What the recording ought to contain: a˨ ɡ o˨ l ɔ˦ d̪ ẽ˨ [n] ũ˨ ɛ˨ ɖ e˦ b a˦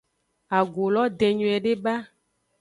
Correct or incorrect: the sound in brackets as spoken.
incorrect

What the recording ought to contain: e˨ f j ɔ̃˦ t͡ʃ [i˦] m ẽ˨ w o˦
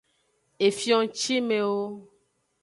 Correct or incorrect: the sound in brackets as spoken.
correct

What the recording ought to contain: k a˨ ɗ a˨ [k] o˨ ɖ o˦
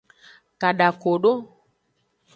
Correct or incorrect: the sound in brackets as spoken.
correct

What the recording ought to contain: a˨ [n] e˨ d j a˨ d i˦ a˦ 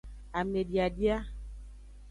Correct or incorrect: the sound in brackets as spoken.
incorrect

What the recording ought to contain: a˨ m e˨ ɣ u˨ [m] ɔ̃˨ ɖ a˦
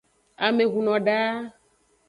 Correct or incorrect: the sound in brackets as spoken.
incorrect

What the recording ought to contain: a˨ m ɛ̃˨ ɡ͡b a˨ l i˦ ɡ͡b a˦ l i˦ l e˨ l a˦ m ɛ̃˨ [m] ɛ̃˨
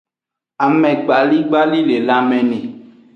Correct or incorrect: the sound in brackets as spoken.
incorrect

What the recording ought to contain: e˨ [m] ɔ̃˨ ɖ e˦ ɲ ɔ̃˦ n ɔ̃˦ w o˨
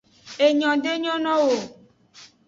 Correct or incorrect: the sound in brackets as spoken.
incorrect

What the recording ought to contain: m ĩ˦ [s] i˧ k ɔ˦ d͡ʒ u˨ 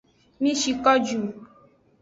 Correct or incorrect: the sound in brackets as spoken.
incorrect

